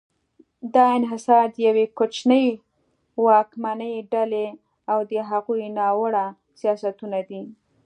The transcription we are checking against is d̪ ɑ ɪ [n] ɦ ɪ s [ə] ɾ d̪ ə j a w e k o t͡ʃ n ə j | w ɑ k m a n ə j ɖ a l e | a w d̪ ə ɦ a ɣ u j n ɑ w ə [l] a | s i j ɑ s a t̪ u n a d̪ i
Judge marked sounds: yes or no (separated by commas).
yes, no, no